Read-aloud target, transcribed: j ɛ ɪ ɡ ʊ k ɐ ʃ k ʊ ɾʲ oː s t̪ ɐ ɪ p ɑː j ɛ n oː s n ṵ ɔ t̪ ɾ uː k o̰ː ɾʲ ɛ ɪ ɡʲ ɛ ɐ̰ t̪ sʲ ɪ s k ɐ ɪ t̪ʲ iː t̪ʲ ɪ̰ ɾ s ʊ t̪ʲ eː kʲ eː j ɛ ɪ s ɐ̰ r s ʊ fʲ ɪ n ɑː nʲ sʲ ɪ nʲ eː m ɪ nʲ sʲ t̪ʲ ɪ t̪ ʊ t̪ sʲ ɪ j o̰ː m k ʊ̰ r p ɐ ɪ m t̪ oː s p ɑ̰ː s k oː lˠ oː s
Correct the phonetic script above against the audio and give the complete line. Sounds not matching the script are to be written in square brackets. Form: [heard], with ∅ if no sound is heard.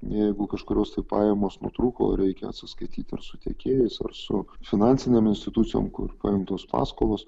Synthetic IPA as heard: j ɛ ɪ ɡ ʊ k ɐ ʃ k ʊ ɾʲ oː s t̪ ɐ ɪ p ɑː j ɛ [m] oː s n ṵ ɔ t̪ ɾ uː k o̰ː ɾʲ ɛ ɪ [kʲ] ɛ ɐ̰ t̪ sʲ ɪ s k ɐ ɪ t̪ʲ iː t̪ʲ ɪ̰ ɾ s ʊ t̪ʲ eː kʲ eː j ɛ ɪ s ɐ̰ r s ʊ fʲ ɪ n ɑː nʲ sʲ ɪ nʲ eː m ɪ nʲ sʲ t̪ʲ ɪ t̪ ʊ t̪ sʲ ɪ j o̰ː m k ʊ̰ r p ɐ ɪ m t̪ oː s p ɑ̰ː s k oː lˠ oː s